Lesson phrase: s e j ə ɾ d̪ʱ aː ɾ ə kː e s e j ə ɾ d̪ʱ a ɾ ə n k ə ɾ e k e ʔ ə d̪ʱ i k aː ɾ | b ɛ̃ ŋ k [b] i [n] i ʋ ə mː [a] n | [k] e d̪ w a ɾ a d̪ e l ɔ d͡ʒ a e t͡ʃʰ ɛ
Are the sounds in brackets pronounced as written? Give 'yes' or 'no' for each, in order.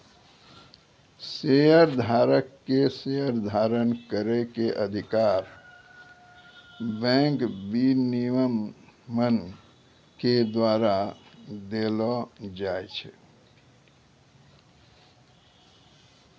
yes, yes, no, yes

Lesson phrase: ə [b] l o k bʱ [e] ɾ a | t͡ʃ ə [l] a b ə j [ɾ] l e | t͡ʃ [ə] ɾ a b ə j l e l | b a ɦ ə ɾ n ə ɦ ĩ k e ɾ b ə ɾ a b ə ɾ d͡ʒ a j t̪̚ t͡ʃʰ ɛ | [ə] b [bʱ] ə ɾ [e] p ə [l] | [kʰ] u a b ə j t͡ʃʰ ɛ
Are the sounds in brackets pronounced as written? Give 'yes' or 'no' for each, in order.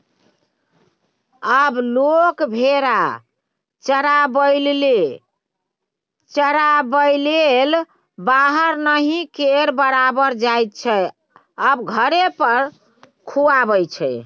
yes, yes, no, no, yes, yes, no, yes, no, yes

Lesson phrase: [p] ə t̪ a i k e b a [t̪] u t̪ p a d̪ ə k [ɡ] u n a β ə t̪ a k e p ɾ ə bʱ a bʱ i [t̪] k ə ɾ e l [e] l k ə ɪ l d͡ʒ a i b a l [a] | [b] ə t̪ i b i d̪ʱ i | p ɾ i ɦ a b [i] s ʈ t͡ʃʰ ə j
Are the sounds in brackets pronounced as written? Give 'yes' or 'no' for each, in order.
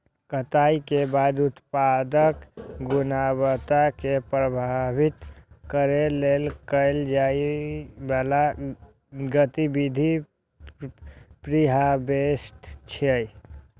no, no, yes, yes, yes, yes, no, no

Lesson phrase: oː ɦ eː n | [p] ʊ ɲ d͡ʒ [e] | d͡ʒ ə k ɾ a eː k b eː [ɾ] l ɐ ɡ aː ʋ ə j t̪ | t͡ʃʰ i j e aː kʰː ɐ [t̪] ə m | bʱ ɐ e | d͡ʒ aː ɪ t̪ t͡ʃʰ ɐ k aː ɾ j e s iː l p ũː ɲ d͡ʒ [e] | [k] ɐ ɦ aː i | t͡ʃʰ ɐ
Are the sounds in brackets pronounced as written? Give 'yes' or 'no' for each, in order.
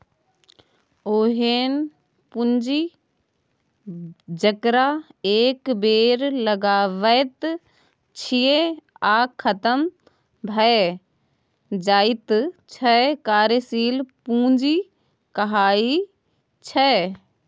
yes, no, yes, yes, no, yes

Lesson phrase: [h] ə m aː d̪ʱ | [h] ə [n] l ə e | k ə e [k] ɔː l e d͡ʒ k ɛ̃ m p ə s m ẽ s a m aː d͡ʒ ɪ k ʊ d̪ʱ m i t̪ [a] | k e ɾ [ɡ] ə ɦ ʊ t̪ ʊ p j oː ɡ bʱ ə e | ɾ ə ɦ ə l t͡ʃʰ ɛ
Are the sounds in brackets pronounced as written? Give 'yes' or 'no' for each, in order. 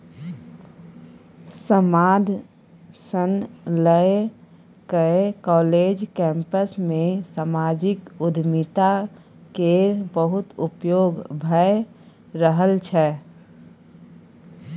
no, no, yes, yes, yes, no

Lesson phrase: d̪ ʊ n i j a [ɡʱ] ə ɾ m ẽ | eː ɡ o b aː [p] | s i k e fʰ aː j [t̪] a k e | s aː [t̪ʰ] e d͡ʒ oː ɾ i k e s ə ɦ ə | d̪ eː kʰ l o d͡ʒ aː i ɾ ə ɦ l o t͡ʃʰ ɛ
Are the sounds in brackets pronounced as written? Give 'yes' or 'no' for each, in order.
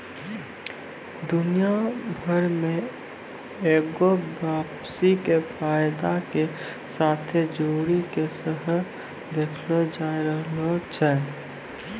no, yes, no, yes

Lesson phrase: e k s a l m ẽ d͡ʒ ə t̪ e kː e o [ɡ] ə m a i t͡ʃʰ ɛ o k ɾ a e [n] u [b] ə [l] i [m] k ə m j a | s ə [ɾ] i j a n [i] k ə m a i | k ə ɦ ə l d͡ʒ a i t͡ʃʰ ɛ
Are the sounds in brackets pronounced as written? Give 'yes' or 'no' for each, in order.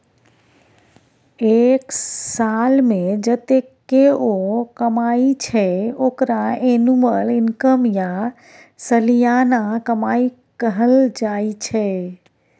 no, yes, no, yes, no, no, no

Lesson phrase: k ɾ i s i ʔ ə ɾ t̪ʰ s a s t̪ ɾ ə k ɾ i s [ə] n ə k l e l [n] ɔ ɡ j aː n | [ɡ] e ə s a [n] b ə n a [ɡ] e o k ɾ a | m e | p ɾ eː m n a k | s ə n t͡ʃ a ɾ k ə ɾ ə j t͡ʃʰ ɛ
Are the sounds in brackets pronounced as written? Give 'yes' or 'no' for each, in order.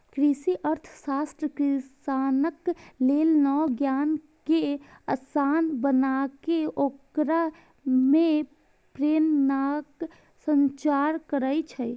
no, yes, no, yes, no

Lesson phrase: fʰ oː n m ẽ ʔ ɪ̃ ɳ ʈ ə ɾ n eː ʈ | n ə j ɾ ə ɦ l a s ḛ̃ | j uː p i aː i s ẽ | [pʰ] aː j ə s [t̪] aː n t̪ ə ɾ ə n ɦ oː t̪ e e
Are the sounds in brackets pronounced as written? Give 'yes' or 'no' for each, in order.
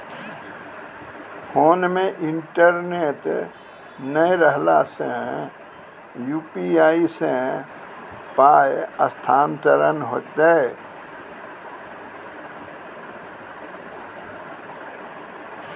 no, no

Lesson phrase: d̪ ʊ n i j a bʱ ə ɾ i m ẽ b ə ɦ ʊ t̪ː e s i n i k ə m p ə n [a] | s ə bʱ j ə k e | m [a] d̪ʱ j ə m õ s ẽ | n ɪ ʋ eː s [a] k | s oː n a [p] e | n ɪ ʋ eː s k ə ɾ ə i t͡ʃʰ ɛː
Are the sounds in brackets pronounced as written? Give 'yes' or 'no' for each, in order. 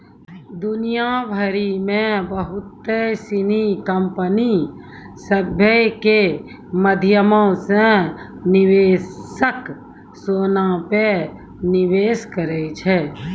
no, no, no, yes

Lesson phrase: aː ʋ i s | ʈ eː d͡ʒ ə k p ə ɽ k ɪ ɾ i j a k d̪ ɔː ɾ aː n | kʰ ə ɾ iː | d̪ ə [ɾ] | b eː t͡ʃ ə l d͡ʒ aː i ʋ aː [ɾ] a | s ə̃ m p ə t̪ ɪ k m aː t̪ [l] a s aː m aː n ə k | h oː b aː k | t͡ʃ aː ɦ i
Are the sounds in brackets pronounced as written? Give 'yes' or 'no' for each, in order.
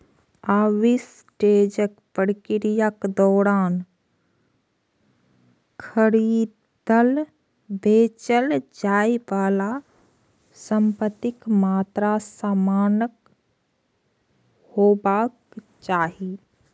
no, no, no

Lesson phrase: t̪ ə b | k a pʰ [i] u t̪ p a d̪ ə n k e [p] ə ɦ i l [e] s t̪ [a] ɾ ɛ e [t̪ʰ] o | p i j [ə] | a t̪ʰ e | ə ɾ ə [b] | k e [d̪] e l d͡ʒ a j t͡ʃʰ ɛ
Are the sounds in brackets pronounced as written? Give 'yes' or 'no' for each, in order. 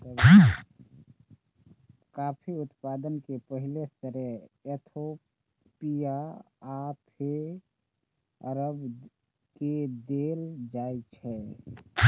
yes, yes, yes, no, yes, no, yes, yes

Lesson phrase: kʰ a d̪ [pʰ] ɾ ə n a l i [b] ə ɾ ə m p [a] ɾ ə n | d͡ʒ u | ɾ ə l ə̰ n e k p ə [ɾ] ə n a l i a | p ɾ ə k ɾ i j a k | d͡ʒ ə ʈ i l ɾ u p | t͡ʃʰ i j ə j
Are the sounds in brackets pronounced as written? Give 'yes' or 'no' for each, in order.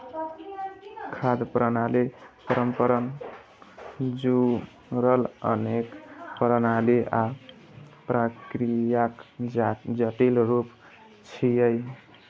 no, no, no, yes

